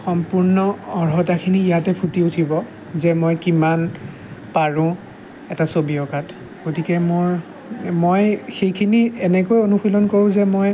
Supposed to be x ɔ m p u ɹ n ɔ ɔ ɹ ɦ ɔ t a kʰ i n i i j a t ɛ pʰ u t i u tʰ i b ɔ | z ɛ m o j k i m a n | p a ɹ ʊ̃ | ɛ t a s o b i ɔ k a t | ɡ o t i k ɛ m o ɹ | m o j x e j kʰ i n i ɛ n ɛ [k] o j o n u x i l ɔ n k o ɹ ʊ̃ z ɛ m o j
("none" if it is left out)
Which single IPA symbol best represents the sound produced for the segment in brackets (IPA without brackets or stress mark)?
k